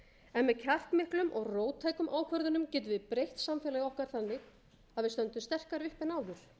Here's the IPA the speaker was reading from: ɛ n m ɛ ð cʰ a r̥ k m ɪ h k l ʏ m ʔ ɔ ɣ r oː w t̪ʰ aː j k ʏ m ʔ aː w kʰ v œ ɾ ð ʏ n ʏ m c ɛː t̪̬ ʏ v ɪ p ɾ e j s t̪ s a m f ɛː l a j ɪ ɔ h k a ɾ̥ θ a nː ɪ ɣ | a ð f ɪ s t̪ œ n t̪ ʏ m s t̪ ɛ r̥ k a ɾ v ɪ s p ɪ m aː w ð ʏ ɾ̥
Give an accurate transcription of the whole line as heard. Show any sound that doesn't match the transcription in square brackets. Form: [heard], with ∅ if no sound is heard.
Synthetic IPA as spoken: ɛ n m ɛ ð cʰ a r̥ k m ɪ h k l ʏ m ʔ ɔ ɣ r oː w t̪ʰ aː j k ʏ m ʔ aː w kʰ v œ ɾ ð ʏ n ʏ m c ɛː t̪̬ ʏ v ɪ p ɾ e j [h] t̪ s a m f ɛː l a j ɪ ɔ h k a ɾ̥ θ a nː ɪ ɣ | a ð [v] ɪ s t̪ œ n t̪ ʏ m s t̪ ɛ r̥ k a ɾ v ɪ [h] p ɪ [n] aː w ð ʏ ɾ̥